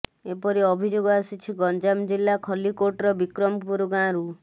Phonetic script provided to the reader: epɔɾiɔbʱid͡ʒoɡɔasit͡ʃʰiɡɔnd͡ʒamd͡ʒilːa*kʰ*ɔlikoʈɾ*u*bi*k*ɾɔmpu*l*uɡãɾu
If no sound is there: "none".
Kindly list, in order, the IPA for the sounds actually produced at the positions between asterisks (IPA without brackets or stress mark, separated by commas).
kʰ, ɔ, k, ɾ